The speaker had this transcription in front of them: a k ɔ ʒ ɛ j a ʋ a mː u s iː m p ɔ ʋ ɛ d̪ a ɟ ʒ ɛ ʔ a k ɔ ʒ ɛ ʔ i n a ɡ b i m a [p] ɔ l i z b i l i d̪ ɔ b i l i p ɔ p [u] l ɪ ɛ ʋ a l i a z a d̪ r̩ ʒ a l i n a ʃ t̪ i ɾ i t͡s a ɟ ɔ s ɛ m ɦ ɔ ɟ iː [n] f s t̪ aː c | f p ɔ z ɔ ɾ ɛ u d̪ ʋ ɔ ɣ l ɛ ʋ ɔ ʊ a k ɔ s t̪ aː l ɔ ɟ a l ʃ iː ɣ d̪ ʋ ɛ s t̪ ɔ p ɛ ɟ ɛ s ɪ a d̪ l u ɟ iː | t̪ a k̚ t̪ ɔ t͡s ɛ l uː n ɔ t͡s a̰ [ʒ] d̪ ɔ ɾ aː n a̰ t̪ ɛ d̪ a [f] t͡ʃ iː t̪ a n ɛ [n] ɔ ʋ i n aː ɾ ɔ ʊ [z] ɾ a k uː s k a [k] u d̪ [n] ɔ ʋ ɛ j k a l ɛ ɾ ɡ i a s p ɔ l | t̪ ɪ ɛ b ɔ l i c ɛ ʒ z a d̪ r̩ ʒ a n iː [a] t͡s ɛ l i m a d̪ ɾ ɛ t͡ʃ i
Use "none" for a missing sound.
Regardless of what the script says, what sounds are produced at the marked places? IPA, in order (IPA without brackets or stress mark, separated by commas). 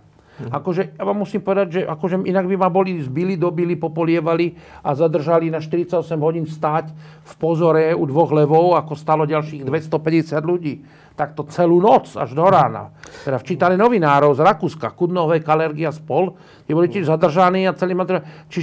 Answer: b, ɔ, n, ʒ, f, n, z, k, n, a